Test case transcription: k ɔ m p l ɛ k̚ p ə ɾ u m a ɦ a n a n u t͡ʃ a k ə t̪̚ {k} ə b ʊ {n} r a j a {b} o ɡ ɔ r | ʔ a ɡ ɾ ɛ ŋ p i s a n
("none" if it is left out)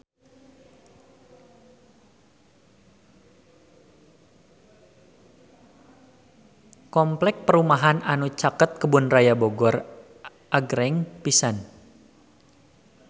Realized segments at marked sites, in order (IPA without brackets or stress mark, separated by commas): k, n, b